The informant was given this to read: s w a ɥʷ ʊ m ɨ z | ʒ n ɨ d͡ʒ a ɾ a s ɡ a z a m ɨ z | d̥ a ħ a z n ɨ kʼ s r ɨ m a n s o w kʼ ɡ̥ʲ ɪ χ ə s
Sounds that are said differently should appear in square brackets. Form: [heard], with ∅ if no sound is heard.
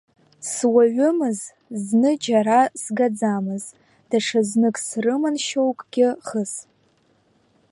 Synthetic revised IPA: s w a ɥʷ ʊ m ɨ z | [z] n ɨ d͡ʒ a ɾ a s ɡ a [d͡z] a m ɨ z | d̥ a [ʂ] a z n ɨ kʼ s r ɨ m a n [ʃ] o w kʼ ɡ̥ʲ ɪ χ ə s